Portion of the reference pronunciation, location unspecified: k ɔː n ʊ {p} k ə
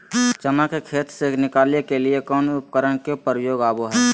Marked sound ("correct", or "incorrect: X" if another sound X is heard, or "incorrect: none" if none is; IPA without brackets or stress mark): correct